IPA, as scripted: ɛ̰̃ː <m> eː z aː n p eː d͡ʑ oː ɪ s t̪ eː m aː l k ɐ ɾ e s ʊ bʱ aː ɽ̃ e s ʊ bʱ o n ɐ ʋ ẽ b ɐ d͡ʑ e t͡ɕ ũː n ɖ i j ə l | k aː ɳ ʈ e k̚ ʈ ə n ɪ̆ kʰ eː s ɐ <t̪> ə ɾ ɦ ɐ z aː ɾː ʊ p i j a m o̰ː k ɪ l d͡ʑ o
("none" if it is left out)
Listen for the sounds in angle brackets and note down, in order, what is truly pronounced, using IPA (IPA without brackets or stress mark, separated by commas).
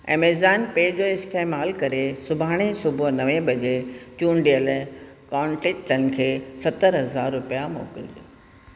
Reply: m, t̪